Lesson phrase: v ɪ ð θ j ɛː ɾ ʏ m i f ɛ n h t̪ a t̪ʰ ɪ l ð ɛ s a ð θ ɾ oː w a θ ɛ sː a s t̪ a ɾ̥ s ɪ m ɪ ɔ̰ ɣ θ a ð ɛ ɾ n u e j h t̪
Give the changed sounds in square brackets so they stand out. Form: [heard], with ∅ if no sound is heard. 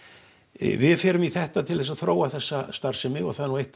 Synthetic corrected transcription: v ɪ ð [f] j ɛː ɾ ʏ m i [θ] ɛ [∅] h t̪ a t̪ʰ ɪ l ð ɛ s a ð θ ɾ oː w a θ ɛ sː a s t̪ a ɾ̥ s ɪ m ɪ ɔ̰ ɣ θ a ð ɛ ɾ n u e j h t̪